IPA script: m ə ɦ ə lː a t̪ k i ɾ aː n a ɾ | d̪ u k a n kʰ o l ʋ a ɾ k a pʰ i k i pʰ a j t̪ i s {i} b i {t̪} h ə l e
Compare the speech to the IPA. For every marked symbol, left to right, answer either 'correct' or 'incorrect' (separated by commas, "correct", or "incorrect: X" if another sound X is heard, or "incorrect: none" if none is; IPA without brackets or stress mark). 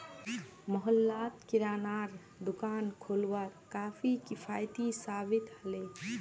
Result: incorrect: a, correct